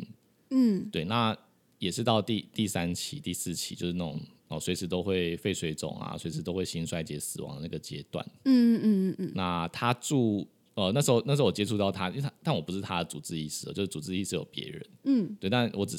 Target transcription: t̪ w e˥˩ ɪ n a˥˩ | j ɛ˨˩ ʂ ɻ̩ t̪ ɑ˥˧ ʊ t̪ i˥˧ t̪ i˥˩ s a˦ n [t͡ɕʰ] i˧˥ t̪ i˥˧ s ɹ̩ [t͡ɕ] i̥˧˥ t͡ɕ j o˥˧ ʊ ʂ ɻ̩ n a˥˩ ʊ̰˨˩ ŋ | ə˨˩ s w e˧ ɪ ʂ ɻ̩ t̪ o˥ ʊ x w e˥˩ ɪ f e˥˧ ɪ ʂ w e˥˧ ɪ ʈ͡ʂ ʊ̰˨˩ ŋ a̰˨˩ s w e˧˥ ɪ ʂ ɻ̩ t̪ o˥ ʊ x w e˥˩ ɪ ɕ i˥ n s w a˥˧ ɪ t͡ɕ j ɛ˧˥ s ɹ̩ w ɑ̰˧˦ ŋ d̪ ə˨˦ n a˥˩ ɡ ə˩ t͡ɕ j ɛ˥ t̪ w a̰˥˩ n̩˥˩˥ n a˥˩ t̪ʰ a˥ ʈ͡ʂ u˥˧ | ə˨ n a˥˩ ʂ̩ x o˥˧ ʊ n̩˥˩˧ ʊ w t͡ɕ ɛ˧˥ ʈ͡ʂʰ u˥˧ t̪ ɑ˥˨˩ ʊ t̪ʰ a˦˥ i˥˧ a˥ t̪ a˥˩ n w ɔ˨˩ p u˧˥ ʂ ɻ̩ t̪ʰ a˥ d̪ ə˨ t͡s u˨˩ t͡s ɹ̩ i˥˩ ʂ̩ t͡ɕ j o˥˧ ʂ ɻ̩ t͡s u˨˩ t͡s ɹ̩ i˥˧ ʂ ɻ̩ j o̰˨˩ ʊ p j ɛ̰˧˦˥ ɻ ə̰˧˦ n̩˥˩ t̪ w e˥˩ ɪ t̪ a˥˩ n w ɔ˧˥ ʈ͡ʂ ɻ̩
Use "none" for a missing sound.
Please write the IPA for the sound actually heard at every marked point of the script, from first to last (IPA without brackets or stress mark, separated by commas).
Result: t͡ɕʰ, t͡ɕʰ